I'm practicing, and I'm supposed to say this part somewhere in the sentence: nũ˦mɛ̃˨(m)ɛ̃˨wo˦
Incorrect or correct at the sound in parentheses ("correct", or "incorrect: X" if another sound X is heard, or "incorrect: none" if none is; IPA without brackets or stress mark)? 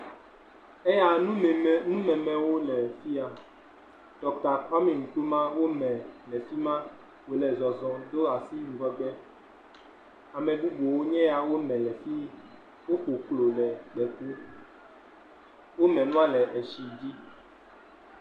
correct